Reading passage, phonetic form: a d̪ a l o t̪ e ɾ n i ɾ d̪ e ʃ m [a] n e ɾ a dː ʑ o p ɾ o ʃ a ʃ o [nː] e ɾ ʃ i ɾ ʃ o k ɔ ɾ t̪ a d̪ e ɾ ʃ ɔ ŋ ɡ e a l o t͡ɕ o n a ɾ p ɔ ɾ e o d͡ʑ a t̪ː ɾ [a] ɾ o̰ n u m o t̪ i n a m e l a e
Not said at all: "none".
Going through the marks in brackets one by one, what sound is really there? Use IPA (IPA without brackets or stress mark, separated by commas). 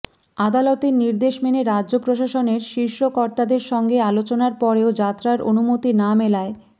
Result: e, n, a